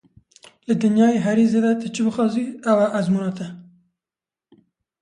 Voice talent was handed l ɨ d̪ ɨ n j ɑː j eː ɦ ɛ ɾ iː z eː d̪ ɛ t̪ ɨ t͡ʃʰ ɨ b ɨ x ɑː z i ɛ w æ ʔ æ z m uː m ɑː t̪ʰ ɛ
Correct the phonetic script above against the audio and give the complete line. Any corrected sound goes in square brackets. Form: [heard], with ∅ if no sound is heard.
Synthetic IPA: l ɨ d̪ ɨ n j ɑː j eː ɦ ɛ ɾ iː z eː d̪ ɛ t̪ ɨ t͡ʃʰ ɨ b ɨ x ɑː z i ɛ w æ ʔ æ z m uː [n] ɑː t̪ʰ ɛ